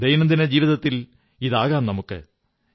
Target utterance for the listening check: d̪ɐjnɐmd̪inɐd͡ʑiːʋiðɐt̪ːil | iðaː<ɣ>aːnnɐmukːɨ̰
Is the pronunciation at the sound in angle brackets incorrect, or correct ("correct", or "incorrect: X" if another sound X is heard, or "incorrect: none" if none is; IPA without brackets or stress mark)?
correct